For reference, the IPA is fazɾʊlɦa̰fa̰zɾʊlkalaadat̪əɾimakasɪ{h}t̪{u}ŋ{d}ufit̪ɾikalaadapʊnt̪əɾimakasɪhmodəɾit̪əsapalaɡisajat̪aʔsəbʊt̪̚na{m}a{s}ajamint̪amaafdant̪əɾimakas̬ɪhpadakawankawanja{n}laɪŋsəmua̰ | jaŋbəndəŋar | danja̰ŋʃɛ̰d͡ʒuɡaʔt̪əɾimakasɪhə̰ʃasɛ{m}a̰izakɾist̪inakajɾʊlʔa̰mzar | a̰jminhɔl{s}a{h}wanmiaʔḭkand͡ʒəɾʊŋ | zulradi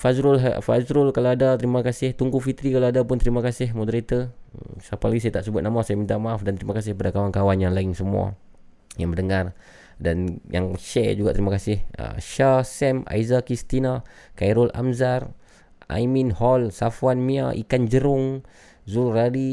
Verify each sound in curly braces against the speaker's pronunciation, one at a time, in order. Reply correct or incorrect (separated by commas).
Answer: correct, correct, incorrect, correct, correct, incorrect, correct, correct, incorrect